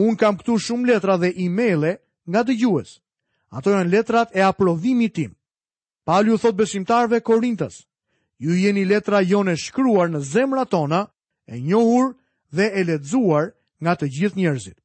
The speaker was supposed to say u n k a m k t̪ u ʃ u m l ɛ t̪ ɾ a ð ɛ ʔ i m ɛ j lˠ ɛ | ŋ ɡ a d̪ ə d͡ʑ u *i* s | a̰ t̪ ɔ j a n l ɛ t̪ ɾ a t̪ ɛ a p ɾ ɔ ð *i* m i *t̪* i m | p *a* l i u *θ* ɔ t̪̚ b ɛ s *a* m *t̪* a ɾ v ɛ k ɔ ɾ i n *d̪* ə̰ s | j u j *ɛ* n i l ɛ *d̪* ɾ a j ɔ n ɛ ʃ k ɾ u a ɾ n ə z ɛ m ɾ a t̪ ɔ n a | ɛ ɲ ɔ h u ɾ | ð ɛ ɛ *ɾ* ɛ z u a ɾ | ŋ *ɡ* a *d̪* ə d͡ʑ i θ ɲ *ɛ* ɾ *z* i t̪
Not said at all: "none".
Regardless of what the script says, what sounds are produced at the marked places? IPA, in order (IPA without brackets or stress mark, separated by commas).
ɛ, i, t̪, a, θ, i, t̪, t̪, ɛ, t̪, l, ɡ, t̪, ɛ, z